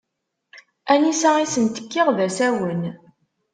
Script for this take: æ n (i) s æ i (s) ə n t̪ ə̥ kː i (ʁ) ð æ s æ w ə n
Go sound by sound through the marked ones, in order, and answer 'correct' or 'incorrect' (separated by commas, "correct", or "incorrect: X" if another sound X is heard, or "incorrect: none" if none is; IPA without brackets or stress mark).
correct, correct, correct